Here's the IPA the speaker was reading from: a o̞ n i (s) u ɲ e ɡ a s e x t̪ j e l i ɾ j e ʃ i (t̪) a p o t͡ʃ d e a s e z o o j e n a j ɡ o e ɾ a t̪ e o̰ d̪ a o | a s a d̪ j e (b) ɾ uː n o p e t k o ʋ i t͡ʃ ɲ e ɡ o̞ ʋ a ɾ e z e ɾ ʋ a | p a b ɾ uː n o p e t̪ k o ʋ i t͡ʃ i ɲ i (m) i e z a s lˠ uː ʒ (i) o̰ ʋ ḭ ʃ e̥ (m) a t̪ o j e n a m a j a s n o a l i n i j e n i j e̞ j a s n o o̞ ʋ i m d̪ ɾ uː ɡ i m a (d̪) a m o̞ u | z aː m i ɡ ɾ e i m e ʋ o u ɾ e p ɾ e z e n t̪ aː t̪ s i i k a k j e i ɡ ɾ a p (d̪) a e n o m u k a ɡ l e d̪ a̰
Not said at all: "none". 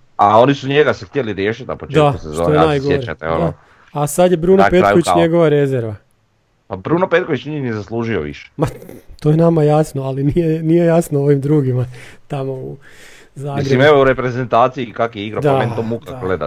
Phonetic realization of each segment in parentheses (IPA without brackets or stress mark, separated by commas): s, t̪, b, n, i, m, t̪, d̪